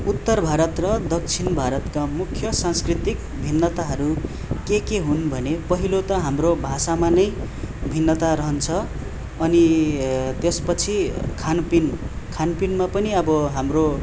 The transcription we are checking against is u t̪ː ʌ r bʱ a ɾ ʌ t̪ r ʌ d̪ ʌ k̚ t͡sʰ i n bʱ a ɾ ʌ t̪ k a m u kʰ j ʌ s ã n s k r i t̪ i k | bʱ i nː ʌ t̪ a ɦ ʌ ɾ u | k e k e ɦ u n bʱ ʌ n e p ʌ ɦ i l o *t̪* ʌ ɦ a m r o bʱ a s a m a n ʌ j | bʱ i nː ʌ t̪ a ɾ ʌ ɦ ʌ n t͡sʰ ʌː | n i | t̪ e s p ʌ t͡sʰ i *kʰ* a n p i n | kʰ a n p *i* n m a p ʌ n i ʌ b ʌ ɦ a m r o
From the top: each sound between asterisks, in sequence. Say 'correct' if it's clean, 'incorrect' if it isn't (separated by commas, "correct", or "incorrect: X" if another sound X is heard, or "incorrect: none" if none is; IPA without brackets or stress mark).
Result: correct, correct, correct